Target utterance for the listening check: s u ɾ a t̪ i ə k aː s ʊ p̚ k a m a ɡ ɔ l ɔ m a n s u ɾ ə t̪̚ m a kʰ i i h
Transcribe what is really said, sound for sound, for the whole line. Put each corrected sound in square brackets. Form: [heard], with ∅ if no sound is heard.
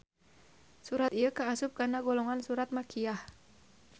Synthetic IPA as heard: s u ɾ a t̪ i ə k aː s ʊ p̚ k a [n] a ɡ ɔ l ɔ [ŋ] a n s u ɾ [a] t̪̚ m a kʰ i [a] h